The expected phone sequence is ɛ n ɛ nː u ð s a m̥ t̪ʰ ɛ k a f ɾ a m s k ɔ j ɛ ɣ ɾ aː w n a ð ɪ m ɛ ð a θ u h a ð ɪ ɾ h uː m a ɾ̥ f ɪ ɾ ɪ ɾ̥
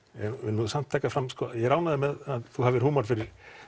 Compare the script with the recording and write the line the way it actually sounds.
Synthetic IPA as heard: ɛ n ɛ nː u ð s a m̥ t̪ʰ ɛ k a f ɾ a m s k ɔ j ɛ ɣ ɾ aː w n a ð ɪ m ɛ ð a θ u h a v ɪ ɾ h uː m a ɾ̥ f ɪ ɾ ɪ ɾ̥